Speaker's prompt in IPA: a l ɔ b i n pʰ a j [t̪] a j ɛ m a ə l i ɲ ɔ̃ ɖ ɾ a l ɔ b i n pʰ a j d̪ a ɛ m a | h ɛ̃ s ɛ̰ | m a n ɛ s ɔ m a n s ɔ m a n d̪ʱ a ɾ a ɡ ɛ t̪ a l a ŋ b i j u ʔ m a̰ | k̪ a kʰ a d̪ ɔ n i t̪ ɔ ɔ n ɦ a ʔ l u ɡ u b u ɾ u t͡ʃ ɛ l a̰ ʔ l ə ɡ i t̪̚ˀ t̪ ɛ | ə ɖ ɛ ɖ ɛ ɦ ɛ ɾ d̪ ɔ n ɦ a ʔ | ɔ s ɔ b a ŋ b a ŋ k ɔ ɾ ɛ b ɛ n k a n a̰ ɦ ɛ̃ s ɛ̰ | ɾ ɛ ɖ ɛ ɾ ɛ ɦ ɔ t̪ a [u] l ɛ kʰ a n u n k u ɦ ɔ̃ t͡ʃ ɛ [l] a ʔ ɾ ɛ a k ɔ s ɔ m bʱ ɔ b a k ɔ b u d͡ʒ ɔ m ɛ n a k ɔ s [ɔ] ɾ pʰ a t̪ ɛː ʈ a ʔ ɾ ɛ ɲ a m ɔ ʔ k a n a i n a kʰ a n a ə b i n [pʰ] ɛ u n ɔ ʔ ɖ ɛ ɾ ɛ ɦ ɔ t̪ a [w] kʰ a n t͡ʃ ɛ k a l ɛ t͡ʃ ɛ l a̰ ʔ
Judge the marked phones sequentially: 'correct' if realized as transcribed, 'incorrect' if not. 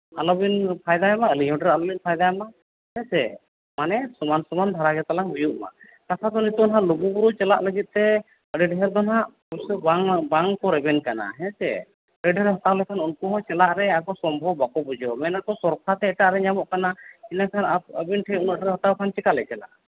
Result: incorrect, incorrect, correct, correct, incorrect, correct

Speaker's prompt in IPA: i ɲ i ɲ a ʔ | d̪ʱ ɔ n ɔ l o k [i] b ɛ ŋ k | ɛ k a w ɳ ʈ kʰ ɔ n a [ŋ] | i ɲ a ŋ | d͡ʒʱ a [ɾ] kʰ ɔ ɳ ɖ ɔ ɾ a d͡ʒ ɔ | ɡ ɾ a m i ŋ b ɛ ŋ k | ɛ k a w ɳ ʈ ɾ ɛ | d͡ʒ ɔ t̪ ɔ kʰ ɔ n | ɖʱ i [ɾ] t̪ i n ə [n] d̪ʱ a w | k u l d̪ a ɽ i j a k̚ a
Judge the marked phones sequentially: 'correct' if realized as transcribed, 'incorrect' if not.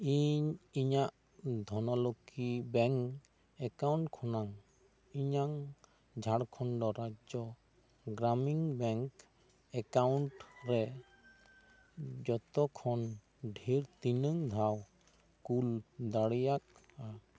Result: correct, correct, incorrect, correct, incorrect

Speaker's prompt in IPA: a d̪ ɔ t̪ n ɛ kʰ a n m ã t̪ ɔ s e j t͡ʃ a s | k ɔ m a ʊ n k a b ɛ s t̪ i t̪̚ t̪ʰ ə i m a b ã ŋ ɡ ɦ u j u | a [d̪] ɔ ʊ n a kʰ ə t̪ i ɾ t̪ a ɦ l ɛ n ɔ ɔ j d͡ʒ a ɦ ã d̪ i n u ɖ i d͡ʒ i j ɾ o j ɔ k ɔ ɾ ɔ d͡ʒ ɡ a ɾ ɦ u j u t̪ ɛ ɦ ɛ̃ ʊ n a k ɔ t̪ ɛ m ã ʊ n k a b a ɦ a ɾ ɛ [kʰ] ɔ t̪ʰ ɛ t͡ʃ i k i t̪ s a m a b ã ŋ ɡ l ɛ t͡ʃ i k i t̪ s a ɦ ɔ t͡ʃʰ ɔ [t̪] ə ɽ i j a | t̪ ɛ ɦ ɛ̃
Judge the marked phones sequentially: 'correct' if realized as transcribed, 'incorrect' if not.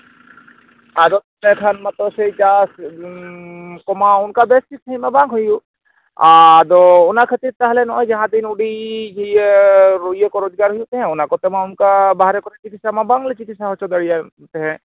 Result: correct, incorrect, incorrect

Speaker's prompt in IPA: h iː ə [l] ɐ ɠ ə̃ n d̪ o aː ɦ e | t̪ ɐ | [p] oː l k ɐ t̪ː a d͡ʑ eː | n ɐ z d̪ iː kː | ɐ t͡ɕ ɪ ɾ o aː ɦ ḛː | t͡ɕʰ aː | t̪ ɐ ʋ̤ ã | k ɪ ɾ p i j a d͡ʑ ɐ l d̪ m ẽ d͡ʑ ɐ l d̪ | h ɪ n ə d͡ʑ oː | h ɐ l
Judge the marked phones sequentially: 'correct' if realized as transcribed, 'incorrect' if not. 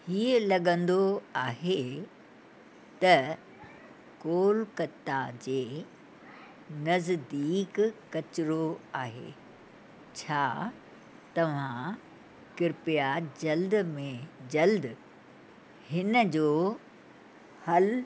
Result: correct, incorrect

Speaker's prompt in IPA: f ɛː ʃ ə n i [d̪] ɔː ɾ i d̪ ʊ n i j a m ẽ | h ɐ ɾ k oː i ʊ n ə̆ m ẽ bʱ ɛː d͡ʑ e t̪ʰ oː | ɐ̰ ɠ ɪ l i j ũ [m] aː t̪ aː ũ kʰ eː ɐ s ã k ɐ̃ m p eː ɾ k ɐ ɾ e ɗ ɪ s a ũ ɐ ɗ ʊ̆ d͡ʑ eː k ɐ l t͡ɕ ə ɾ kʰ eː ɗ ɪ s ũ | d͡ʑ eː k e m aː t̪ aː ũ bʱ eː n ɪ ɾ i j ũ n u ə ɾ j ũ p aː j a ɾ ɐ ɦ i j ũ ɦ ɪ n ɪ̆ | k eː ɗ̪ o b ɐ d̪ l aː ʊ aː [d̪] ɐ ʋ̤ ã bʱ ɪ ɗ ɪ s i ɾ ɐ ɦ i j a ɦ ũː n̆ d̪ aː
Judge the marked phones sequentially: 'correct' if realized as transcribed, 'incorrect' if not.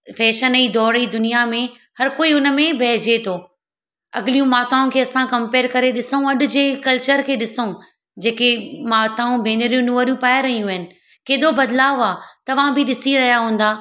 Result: correct, correct, incorrect

